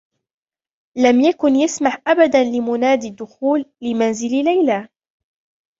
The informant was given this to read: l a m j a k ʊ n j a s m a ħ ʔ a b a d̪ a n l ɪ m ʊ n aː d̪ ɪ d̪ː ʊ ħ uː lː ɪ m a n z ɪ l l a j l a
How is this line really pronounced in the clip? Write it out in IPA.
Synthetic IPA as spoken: l a m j a k ʊ n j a s m a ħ ʔ a b a d̪ a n l ɪ m ʊ n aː d̪ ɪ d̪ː ʊ x uː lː ɪ m a n z ɪ l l a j l a